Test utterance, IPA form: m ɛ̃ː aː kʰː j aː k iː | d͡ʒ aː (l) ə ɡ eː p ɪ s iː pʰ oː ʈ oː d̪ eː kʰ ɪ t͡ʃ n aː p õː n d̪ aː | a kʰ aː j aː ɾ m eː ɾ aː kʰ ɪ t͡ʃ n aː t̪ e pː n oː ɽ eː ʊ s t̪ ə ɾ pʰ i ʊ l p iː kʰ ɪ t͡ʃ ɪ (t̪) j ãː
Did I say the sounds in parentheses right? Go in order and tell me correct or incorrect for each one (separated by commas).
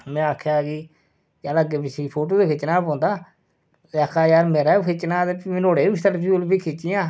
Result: correct, incorrect